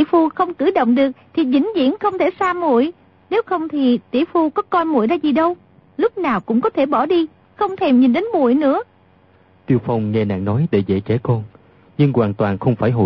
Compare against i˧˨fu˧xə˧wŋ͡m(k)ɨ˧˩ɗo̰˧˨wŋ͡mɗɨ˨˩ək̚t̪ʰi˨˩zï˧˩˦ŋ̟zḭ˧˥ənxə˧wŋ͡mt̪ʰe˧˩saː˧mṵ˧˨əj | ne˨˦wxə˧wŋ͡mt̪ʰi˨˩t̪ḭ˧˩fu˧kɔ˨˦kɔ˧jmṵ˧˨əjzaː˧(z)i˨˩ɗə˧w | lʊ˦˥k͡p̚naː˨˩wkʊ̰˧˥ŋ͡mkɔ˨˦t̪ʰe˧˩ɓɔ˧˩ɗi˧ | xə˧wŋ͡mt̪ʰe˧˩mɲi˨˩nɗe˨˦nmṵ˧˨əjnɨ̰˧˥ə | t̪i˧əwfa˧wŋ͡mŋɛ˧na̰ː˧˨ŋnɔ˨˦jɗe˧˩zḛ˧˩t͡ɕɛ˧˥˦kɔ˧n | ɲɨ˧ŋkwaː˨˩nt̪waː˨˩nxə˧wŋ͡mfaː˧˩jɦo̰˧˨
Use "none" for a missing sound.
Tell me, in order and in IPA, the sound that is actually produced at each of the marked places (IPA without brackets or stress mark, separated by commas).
k, z